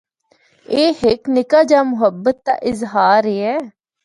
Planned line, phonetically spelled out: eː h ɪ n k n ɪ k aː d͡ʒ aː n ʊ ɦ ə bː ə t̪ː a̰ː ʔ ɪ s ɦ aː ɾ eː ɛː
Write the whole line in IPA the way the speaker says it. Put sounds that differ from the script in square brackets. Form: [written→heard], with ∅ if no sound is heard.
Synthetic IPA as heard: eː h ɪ [n→∅] k n ɪ k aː d͡ʒ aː [n→m] ʊ ɦ ə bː ə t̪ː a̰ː ʔ ɪ [s→z] ɦ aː ɾ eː ɛː